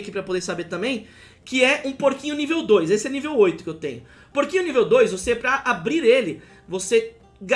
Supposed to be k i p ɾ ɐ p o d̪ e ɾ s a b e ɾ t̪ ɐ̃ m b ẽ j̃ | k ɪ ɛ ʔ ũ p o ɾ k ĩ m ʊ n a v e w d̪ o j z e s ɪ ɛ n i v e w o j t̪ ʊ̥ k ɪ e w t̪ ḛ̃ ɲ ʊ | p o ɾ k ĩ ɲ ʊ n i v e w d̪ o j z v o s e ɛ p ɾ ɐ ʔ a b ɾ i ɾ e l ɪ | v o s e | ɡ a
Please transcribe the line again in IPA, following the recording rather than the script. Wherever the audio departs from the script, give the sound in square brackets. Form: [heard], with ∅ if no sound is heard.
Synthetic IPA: k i p ɾ ɐ p o d̪ e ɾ s a b e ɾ t̪ ɐ̃ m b ẽ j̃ | k ɪ ɛ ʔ ũ p o ɾ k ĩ [ɲ] ʊ n [i] v e w d̪ o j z e s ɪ ɛ n i v e w o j t̪ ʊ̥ k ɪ e w t̪ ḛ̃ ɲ ʊ | p o ɾ k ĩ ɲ ʊ n i v e w d̪ o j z v o s e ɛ p ɾ ɐ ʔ a b ɾ i ɾ e l ɪ | v o s e | ɡ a